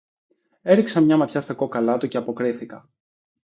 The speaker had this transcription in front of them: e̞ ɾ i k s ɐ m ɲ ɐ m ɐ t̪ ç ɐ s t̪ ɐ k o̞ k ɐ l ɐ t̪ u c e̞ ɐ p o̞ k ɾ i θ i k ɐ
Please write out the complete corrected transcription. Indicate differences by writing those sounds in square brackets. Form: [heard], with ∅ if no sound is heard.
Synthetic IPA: e̞ ɾ i k s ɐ m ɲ ɐ m ɐ t̪ ç ɐ s t̪ ɐ k o̞ k ɐ l ɐ t̪ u c e̞ ɐ p o̞ k ɾ i θ i k ɐ